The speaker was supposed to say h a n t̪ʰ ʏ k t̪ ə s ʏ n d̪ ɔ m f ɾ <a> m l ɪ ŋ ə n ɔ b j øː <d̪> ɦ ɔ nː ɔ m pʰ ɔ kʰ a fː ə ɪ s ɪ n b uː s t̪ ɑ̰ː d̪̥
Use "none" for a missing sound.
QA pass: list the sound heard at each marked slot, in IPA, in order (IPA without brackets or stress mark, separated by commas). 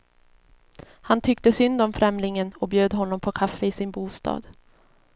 ɛ, d̪